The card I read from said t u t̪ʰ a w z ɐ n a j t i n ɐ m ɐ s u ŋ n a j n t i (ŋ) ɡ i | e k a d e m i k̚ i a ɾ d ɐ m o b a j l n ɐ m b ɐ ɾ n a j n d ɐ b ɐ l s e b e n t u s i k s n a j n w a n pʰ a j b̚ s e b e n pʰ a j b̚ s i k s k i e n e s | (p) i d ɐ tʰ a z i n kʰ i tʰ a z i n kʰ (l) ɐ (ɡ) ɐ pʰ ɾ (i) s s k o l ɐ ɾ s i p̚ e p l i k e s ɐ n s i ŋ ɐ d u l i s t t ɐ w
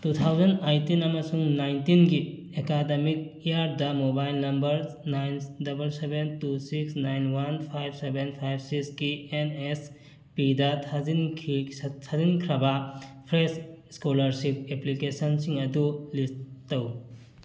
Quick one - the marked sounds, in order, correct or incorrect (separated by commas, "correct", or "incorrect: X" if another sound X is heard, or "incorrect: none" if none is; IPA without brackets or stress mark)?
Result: incorrect: n, correct, incorrect: ɾ, incorrect: b, incorrect: e